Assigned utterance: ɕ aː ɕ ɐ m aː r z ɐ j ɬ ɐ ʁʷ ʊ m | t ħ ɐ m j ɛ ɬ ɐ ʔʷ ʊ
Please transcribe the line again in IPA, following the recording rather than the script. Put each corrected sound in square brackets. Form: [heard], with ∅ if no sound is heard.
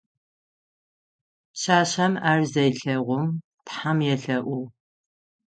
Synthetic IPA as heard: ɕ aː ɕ ɐ m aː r z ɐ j ɬ ɐ ʁʷ ʊ m | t ħ [a] m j ɛ ɬ ɐ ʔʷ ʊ

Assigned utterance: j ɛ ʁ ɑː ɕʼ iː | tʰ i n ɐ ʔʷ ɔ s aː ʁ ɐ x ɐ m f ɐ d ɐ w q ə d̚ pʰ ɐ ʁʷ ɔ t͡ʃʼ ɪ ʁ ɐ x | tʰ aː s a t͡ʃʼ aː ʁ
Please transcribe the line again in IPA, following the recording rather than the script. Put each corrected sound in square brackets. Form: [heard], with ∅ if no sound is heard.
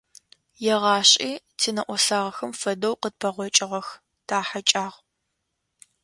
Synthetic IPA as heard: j ɛ ʁ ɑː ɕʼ iː | tʰ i n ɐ ʔʷ ɔ s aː ʁ ɐ x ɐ m f ɐ d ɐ w q ə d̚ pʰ ɐ ʁʷ ɔ t͡ʃʼ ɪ ʁ ɐ x | tʰ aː [ħ] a t͡ʃʼ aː ʁ

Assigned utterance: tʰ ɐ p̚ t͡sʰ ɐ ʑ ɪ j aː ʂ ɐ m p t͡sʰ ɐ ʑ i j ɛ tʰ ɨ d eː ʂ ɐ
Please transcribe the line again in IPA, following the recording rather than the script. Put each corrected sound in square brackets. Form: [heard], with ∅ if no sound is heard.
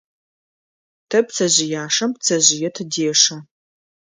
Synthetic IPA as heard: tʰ ɐ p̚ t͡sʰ ɐ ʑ ɪ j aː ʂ ɐ m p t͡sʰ ɐ ʑ [ɪ] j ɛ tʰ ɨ d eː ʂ ɐ

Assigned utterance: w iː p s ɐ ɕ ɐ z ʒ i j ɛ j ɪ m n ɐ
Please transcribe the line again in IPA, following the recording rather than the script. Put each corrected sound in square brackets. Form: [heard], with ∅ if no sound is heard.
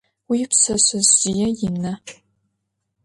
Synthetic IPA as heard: w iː p s ɐ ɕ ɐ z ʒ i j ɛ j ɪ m n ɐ

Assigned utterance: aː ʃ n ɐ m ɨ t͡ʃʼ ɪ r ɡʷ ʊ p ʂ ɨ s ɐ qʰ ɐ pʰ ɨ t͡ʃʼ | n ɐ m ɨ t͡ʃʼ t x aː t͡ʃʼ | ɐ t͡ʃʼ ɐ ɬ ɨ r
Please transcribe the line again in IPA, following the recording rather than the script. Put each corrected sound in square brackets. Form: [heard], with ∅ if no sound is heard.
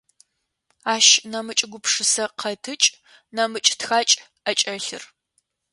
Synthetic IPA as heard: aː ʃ n ɐ m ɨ t͡ʃʼ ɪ [∅] ɡʷ ʊ p ʂ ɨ s ɐ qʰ ɐ [tʰ] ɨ t͡ʃʼ | n ɐ m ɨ t͡ʃʼ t x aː t͡ʃʼ | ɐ t͡ʃʼ ɐ ɬ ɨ r

